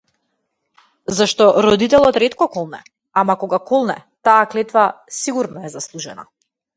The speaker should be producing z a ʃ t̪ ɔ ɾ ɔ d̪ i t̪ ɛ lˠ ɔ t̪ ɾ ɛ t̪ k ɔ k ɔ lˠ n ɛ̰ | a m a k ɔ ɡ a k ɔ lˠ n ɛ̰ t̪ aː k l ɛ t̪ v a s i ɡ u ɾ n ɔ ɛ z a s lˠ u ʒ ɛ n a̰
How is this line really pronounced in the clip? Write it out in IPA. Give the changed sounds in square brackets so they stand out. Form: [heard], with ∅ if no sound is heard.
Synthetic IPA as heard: z a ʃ t̪ ɔ ɾ ɔ d̪ i t̪ ɛ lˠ ɔ t̪ ɾ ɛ t̪ k ɔ k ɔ lˠ n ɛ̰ | a m a k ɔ ɡ a k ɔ lˠ n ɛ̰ t̪ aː k l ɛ t̪ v a s i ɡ u ɾ n ɔ ɛ z a s lˠ u ʒ ɛ n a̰